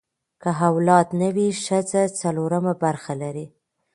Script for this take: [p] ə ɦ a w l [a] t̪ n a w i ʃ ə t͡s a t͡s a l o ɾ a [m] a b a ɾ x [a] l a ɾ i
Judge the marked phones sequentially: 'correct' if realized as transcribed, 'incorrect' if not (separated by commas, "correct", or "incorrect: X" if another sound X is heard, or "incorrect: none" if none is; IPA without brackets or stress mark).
incorrect: k, incorrect: ɑ, correct, correct